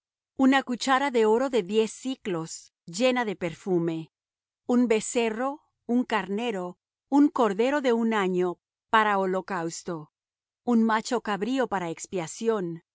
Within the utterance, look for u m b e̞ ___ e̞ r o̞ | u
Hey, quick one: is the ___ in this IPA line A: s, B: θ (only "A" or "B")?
A